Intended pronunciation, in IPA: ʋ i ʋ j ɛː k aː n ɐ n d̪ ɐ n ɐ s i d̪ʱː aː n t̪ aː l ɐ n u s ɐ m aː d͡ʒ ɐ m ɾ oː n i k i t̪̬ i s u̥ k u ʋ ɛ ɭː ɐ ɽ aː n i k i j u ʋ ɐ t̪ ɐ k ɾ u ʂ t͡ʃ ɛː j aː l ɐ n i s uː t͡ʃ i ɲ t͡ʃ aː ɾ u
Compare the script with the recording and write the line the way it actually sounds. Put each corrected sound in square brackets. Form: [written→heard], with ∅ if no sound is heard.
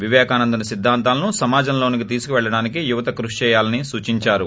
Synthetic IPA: ʋ i ʋ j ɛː k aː n ɐ n d̪ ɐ n ɐ s i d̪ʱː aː n t̪ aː l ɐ n u s ɐ m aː d͡ʒ ɐ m [ɾ→l] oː n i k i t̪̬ [i→iː] s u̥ k u ʋ ɛ ɭː ɐ ɽ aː n i k i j u ʋ ɐ t̪ ɐ k ɾ u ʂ t͡ʃ ɛː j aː l ɐ n i s uː t͡ʃ i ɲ t͡ʃ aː ɾ u